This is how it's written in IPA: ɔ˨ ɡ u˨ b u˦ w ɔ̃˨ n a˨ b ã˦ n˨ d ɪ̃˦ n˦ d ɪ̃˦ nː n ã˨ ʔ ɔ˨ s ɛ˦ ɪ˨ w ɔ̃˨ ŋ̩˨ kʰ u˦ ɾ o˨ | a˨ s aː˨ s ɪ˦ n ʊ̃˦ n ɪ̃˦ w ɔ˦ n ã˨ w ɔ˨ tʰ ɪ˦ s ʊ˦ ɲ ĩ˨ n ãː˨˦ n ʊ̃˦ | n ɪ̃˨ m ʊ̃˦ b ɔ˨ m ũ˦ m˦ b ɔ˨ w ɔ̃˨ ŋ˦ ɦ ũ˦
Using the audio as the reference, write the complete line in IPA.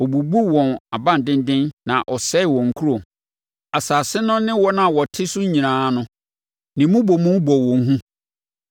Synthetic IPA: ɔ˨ b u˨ b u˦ w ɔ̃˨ n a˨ b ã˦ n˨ d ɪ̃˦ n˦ d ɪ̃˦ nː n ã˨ ʔ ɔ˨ s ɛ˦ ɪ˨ w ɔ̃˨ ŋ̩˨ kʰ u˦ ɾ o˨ | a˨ s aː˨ s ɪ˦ n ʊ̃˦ n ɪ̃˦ w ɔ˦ n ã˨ w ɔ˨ tʰ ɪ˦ s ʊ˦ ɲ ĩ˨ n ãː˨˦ n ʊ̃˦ | n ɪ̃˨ m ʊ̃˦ b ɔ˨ m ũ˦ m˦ b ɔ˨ w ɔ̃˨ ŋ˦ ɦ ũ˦